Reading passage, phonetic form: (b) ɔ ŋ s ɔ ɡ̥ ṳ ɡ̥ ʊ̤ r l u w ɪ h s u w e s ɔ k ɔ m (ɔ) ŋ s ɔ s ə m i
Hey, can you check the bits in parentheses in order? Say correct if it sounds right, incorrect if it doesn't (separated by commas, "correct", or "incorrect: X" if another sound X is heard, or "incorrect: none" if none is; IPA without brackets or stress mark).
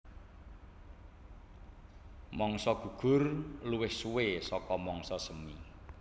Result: incorrect: m, correct